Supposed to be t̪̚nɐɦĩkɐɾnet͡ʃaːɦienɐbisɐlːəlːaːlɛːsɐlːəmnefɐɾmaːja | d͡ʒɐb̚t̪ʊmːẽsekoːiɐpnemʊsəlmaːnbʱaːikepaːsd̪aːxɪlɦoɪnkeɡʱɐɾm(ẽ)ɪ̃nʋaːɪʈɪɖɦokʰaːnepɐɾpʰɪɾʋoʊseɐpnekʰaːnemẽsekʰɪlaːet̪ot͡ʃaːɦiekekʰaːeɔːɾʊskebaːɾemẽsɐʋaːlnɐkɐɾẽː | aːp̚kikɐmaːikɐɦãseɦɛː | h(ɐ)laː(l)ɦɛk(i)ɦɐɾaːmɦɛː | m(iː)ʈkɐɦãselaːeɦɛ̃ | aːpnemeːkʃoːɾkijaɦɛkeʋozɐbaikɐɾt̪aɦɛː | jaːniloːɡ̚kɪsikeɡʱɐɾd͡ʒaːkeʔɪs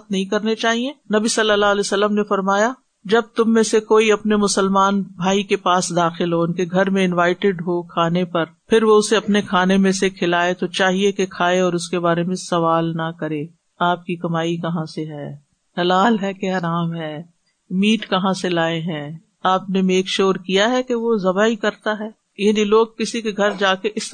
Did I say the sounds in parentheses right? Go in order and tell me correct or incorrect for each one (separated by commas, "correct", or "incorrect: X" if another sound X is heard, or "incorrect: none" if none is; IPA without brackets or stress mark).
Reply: correct, correct, correct, incorrect: e, correct